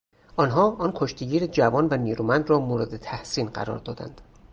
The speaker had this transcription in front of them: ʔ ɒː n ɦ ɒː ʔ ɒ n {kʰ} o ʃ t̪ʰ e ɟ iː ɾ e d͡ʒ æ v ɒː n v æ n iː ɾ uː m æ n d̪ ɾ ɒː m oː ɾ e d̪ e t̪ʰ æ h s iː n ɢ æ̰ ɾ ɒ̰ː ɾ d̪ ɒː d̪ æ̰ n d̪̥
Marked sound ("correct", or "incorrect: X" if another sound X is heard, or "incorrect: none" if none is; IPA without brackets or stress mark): correct